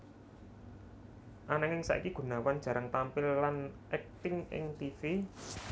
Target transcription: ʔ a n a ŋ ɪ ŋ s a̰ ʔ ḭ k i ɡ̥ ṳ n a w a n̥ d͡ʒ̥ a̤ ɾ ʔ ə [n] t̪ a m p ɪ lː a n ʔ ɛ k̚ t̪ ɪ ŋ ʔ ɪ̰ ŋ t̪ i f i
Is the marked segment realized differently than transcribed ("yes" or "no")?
yes